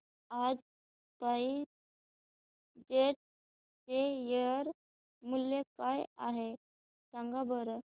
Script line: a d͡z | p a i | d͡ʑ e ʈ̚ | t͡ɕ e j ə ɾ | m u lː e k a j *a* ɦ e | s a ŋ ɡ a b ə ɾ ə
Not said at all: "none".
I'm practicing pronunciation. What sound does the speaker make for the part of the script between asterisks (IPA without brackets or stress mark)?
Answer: a